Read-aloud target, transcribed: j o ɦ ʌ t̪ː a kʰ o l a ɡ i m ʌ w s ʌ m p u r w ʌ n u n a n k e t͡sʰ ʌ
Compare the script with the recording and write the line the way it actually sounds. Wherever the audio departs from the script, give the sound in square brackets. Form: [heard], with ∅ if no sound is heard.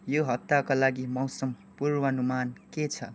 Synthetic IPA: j o ɦ ʌ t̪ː a [k] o l a ɡ i m ʌ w s ʌ m p u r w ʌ n u [m] a n k e t͡sʰ ʌ